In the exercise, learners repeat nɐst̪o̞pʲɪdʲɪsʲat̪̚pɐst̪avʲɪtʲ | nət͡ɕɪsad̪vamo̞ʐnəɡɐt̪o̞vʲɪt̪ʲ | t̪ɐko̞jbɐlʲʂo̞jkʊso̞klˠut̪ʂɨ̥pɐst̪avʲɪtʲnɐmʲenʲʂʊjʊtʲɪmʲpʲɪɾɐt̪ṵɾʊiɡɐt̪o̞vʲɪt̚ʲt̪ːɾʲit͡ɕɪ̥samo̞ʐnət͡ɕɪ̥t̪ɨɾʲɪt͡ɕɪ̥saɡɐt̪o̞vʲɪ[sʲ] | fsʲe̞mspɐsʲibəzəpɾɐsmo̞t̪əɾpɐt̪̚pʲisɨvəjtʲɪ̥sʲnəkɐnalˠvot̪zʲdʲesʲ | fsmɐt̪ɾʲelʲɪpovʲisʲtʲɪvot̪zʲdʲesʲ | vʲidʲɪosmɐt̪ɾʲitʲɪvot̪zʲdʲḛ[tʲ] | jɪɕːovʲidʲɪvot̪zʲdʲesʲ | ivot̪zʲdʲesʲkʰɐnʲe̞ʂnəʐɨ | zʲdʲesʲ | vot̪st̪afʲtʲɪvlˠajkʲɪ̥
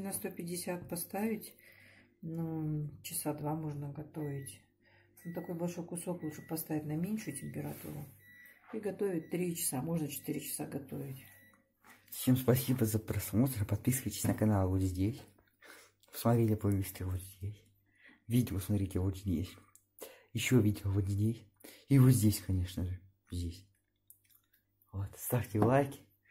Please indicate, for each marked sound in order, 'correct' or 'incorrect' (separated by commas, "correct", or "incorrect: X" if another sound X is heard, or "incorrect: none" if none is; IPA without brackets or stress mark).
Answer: incorrect: tʲ, incorrect: sʲ